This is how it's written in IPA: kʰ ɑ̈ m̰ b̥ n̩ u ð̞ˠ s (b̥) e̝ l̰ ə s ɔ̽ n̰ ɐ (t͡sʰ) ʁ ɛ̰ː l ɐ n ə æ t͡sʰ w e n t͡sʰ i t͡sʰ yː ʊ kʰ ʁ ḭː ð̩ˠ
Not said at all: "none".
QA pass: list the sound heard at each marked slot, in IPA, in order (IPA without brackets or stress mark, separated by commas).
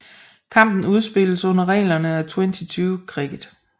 b̥, none